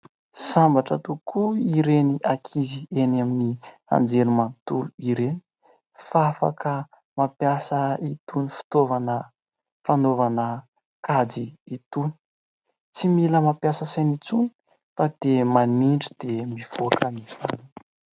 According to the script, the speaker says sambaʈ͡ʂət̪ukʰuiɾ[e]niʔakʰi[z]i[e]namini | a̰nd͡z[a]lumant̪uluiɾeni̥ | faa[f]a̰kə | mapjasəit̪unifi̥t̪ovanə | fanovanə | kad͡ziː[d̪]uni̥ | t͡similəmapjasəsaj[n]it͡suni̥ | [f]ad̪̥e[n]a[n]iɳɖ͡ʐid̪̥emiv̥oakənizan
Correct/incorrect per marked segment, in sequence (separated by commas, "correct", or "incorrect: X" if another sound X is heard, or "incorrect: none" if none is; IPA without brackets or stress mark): correct, correct, correct, incorrect: e, correct, incorrect: t̪, correct, correct, incorrect: m, correct